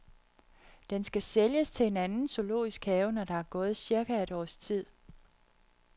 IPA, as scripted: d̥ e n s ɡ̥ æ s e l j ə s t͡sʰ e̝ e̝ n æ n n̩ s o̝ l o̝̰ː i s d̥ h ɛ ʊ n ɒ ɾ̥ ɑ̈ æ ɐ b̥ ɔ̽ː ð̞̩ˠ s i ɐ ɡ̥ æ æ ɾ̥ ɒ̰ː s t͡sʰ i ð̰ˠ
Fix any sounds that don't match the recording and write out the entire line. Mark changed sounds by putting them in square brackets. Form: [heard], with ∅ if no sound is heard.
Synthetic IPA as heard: d̥ e n s ɡ̥ æ s e l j ə s t͡sʰ e̝ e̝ n æ n n̩ s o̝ l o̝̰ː i s [ɡ̥] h ɛ ʊ n ɒ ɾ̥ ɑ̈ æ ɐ [ɡ̥] ɔ̽ː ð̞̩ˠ s i ɐ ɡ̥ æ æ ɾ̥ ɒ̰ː s t͡sʰ i ð̰ˠ